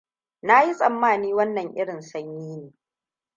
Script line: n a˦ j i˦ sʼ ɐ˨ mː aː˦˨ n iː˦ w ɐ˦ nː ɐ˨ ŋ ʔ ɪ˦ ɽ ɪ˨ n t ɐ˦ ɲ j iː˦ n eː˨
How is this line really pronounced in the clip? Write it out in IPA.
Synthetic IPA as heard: n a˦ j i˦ sʼ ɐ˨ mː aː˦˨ n iː˦ w ɐ˦ nː ɐ˨ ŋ ʔ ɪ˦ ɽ ɪ˨ n s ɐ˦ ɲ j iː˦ n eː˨